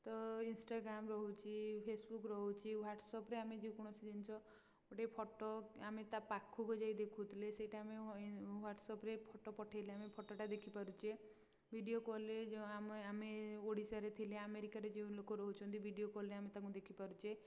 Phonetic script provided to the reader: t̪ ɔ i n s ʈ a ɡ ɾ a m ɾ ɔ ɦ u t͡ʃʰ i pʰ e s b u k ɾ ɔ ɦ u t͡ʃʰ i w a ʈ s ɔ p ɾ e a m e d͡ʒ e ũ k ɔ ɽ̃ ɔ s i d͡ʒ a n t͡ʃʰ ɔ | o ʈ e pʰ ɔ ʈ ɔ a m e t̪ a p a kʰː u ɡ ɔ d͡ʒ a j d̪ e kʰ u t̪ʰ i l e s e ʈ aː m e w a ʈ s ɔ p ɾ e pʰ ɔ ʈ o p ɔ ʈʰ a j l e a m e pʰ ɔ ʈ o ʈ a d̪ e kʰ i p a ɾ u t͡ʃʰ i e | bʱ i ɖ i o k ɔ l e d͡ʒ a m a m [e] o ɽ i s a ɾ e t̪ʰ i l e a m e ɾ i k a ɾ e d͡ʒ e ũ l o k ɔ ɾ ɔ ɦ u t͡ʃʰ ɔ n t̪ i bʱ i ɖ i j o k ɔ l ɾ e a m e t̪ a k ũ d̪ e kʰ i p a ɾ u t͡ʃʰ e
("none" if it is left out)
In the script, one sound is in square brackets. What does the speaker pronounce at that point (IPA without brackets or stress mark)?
e